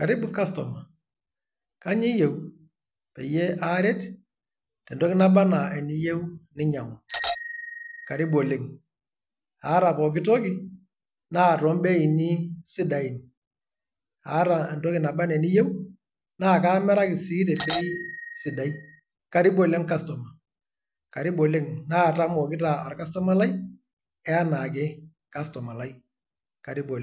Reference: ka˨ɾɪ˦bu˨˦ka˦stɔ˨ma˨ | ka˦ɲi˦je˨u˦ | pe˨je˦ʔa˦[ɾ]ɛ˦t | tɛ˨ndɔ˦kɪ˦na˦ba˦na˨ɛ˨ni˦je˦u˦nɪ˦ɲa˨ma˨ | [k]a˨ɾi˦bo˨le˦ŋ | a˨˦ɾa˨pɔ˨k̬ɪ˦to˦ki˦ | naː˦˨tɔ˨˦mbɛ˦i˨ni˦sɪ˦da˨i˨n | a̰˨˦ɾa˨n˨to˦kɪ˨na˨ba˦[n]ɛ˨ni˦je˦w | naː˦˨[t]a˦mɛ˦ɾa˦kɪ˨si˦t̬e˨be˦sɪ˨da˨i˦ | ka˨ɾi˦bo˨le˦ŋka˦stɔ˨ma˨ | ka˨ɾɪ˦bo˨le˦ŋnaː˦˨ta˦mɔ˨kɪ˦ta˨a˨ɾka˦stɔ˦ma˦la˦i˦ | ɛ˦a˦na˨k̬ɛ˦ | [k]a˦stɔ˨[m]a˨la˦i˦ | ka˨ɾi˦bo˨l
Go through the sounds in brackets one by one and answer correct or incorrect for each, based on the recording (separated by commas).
correct, correct, correct, incorrect, correct, correct